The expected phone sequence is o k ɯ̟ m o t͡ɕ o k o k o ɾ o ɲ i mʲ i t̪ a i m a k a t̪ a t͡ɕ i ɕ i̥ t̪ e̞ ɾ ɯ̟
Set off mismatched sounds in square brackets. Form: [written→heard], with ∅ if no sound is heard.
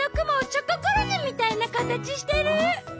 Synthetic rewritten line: o k ɯ̟ m o t͡ɕ o k o k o ɾ o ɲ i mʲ i t̪ a i [m→n] a k a t̪ a t͡ɕ i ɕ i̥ t̪ e̞ ɾ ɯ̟